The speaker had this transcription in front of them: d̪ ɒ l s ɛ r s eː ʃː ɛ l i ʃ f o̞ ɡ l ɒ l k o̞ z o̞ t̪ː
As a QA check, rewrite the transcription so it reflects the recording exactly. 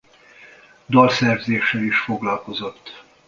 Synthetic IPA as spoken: d̪ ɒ l s ɛ r z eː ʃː ɛ l i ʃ f o̞ ɡ l ɒ l k o̞ z o̞ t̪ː